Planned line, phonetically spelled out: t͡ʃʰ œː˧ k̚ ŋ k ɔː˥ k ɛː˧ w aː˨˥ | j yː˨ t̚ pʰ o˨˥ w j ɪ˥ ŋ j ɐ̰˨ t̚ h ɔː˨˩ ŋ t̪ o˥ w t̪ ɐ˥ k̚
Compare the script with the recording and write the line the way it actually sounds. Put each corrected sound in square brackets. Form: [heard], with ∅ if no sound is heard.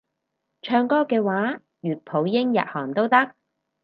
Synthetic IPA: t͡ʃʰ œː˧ [∅] ŋ k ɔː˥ k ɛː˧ w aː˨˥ | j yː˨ t̚ pʰ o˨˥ w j ɪ˥ ŋ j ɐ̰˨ t̚ h ɔː˨˩ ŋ t̪ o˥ w t̪ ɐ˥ k̚